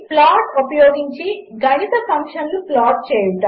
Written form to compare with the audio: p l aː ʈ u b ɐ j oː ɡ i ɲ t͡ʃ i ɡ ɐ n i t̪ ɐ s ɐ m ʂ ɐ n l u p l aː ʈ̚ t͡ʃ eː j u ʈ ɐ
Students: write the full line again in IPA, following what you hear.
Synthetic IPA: p l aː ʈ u p ɐ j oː ɡ i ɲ t͡ʃ i ɡ ɐ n i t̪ ɐ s ɐ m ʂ ɐ n l u p l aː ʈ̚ t͡ʃ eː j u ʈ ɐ